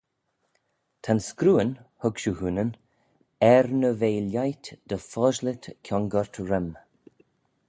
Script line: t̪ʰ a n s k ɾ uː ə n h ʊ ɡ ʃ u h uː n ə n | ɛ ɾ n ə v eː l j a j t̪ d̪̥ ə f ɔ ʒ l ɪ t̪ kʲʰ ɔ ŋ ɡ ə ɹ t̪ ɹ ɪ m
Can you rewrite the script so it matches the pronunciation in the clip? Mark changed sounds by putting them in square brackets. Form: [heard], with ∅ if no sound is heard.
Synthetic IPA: t̪ʰ a n s k ɾ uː ə n h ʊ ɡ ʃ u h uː n ə n | ɛ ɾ n ə v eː l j a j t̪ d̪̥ ə f ɔ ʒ l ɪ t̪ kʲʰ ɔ ŋ ɡ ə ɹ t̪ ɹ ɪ m